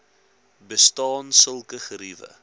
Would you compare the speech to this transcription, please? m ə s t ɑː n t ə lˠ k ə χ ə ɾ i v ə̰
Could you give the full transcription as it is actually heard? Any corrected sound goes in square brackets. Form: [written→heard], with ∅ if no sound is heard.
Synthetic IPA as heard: [m→b] ə s t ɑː n [t→s] ə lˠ k ə χ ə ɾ i v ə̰